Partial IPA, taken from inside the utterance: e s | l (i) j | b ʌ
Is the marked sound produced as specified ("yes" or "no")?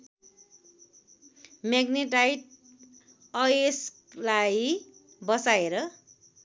no